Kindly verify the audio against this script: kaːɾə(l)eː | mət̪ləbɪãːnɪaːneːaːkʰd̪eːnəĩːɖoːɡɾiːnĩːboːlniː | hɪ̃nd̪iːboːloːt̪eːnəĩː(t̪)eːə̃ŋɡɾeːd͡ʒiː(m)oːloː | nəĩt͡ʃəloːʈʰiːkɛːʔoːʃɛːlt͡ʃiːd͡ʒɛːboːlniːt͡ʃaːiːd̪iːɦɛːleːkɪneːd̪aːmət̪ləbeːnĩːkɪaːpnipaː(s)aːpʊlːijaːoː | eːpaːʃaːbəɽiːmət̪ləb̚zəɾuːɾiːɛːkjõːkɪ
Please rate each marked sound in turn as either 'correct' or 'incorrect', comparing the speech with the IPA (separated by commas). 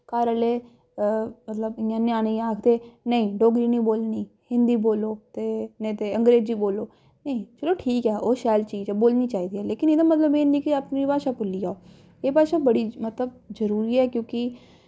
correct, correct, incorrect, incorrect